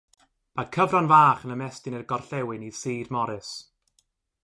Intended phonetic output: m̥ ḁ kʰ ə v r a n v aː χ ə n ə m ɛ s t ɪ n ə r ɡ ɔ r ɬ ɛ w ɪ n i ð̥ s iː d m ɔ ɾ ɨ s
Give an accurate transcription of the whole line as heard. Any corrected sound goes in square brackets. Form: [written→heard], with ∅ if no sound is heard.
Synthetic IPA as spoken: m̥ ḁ kʰ ə v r a n v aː χ ə n ə m ɛ s t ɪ n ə r ɡ ɔ r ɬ ɛ w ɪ n i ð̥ s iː d m ɔ ɾ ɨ s